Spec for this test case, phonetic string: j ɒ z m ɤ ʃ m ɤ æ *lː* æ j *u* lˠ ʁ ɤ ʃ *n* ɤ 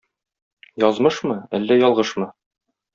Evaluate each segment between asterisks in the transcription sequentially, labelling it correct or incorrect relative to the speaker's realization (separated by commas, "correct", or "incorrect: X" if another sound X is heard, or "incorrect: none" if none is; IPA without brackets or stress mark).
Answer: correct, incorrect: ɒ, incorrect: m